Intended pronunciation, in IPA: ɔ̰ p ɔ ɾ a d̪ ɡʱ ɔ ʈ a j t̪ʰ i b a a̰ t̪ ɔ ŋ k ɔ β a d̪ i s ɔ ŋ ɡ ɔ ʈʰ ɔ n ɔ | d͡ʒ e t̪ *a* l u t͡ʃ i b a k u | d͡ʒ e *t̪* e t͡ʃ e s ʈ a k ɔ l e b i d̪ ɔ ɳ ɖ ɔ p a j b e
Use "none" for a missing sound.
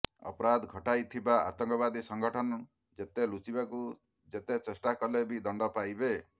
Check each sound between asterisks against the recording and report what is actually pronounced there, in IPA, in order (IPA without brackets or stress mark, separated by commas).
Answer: e, t̪